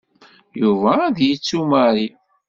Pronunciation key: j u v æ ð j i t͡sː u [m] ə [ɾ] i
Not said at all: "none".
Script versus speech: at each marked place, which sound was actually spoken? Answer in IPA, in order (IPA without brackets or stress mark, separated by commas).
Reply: m, ɾ